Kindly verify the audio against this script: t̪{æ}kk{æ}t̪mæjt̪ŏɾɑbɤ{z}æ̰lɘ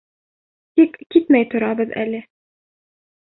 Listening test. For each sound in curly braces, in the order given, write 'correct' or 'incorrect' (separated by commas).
incorrect, incorrect, incorrect